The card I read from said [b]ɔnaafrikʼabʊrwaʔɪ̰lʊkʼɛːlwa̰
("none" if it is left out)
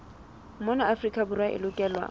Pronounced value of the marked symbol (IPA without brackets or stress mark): m